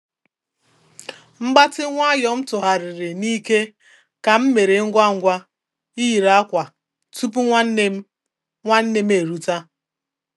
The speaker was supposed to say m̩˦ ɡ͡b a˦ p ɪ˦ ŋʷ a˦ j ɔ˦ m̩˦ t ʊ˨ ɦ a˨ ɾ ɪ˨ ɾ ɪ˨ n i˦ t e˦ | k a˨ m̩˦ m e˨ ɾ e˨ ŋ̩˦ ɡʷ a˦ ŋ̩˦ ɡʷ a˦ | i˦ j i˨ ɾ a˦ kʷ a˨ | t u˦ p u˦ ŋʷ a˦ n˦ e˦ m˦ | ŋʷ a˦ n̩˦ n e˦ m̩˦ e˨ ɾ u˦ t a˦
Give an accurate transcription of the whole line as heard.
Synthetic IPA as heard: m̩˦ ɡ͡b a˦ t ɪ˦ ŋʷ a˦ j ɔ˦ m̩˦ t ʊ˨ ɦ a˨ ɾ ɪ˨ ɾ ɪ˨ n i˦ k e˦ | k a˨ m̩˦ m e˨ ɾ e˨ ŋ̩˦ ɡʷ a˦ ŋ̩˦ ɡʷ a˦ | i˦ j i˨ ɾ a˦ kʷ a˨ | t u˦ p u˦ ŋʷ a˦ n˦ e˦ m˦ | ŋʷ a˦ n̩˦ n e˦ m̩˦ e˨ ɾ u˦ t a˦